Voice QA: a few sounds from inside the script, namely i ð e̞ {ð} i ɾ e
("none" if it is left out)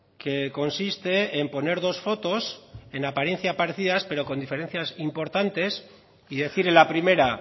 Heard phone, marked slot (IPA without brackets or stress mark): θ